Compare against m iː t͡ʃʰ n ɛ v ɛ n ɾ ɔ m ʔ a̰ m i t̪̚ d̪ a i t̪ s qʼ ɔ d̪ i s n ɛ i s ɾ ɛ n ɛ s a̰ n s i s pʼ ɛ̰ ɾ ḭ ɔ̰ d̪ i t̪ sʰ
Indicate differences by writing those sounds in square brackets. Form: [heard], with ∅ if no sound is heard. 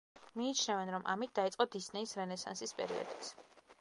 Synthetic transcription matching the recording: m iː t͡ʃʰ n ɛ v ɛ n ɾ ɔ m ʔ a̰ m i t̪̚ d̪ a i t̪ s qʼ ɔ d̪ i s n ɛ i s ɾ ɛ n ɛ s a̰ n s i s pʼ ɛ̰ ɾ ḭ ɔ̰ d̪ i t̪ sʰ